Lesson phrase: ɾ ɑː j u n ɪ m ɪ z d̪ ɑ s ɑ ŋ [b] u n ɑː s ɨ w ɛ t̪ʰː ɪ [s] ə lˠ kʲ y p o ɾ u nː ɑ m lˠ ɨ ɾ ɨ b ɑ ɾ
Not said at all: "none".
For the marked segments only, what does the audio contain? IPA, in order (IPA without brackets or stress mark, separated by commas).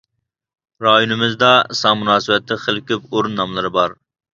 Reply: m, χ